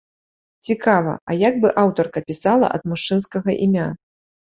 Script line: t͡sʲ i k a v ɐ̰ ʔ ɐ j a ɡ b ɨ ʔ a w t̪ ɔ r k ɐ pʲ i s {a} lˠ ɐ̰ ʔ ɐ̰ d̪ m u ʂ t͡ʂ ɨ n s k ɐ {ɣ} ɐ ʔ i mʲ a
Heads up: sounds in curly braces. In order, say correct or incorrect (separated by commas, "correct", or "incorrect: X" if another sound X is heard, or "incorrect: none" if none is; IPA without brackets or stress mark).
correct, correct